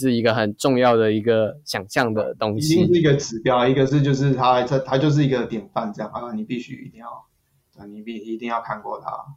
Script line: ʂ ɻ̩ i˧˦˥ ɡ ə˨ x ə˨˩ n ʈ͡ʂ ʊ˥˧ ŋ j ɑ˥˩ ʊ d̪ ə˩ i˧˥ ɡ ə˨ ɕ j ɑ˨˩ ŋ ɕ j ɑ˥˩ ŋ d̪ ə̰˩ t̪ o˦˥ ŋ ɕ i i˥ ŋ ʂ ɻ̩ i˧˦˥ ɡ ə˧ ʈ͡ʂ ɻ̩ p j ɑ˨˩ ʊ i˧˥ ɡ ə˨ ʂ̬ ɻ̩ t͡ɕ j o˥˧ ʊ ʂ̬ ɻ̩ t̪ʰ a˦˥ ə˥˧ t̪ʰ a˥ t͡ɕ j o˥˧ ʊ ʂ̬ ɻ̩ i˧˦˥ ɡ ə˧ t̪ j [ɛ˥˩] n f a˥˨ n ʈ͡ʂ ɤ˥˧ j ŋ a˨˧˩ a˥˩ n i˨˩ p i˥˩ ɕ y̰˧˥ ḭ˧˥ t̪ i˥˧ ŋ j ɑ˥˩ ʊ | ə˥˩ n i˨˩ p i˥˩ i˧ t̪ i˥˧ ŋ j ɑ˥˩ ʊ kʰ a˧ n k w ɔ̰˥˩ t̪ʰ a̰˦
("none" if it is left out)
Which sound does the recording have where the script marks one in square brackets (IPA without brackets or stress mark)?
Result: ɛ˨˩